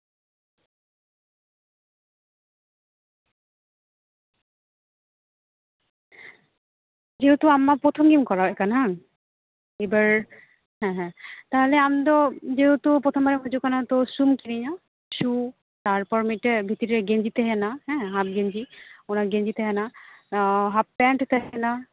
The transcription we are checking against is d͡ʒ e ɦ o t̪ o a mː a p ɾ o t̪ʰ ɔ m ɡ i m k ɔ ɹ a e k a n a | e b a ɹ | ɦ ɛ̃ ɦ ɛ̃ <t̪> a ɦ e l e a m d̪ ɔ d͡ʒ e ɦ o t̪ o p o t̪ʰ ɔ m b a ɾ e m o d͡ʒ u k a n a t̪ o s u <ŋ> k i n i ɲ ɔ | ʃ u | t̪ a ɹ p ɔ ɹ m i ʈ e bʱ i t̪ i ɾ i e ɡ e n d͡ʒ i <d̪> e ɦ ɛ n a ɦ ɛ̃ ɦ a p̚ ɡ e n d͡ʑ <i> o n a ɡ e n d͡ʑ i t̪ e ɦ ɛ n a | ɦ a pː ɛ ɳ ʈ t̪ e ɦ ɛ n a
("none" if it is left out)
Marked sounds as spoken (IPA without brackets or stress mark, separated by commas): t̪, m, t̪, i